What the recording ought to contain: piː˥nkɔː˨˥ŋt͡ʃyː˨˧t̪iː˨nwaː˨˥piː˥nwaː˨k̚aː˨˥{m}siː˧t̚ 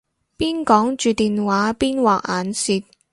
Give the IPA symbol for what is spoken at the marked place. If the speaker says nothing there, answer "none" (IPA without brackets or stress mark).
n